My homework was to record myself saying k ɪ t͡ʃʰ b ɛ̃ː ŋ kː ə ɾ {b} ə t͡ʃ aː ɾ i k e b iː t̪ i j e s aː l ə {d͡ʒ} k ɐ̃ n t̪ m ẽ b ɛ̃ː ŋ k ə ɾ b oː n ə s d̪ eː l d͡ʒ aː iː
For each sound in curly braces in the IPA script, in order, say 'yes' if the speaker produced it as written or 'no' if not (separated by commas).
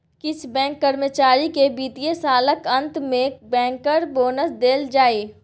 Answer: no, no